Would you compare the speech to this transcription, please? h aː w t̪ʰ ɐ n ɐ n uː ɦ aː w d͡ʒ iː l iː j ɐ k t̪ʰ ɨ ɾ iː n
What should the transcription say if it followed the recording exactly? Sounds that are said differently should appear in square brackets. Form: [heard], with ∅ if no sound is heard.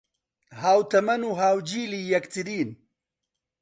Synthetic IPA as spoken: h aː w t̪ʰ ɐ [m] ɐ n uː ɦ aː w d͡ʒ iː l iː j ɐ k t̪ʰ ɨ ɾ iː n